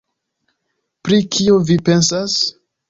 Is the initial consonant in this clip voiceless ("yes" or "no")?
yes